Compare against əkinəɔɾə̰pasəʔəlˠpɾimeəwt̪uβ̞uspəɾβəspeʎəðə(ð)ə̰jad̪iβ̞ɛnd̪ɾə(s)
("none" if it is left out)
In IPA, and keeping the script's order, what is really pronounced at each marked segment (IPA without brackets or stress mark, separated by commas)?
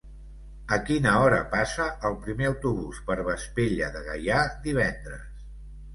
ɣ, s